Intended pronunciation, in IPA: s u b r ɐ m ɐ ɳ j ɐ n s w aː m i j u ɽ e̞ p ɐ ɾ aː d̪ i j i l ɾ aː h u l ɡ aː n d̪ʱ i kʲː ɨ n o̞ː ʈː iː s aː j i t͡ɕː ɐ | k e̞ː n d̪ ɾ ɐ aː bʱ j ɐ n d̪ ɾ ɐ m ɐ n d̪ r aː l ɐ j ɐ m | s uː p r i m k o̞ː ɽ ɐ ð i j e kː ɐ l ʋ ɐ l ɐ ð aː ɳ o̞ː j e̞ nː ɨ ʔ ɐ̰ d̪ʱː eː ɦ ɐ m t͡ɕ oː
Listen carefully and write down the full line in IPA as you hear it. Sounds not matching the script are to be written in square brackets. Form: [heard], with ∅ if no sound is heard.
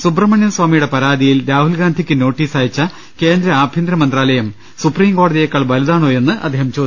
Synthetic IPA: s u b r ɐ m ɐ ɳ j ɐ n s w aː m i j u ɽ e̞ p ɐ ɾ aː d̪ i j i l ɾ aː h u l ɡ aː n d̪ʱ i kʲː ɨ n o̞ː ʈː iː s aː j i t͡ɕː ɐ | k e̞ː n d̪ ɾ ɐ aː bʱ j ɐ n d̪ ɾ ɐ m ɐ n d̪ r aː l ɐ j ɐ m | s [u] p r [iː] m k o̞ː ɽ ɐ ð i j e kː ɐ [ɭ] ʋ ɐ l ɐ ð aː ɳ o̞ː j e̞ nː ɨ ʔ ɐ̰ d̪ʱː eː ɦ ɐ m t͡ɕ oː